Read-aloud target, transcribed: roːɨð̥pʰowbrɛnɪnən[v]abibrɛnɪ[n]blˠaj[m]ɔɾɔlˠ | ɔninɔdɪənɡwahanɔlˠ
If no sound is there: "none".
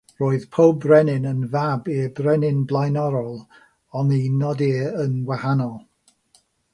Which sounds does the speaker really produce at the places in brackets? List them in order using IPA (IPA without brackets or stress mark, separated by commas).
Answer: v, n, n